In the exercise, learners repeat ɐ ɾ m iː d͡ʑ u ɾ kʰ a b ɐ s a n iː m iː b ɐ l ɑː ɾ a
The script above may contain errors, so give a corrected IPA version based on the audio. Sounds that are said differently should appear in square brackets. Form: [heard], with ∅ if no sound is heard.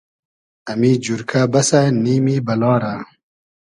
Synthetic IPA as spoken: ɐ [∅] m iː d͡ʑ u ɾ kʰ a b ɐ s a n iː m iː b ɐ l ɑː ɾ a